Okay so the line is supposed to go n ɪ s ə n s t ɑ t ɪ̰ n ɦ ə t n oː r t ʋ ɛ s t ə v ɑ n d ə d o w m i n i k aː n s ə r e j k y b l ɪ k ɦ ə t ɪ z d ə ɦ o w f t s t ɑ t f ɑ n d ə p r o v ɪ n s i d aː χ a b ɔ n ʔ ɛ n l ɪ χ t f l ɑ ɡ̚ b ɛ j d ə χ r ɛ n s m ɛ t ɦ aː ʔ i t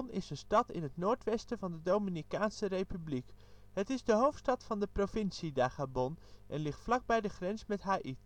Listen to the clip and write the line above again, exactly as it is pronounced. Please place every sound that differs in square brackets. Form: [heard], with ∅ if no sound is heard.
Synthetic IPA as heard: n ɪ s ə n s t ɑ t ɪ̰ n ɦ ə t n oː [ɹ] t ʋ ɛ s t ə v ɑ n d ə d o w m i n i k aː n s ə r e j [p] y b l [i] k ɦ ə t ɪ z d ə ɦ o w f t s t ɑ t f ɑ n d ə p r o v ɪ n s i d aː χ a b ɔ n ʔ ɛ n l ɪ χ t f l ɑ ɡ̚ b ɛ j d ə χ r ɛ n s m ɛ t ɦ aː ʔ i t